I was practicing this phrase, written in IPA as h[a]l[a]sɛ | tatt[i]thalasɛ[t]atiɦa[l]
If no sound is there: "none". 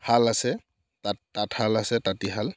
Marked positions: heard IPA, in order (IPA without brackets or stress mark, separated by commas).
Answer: a, a, a, t, l